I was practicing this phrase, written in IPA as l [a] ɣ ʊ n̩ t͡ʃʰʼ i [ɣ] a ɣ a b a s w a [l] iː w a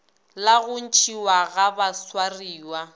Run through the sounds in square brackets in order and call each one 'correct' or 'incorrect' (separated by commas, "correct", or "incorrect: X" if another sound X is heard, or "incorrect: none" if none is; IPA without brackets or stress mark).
correct, incorrect: w, incorrect: r